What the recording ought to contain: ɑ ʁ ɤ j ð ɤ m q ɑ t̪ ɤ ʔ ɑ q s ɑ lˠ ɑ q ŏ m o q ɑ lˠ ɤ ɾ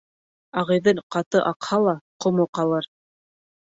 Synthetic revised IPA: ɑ ʁ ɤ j ð ɤ ɴ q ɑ t̪ ɤ ʔ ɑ q h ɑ lˠ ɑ q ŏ m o q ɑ lˠ ɤ ɾ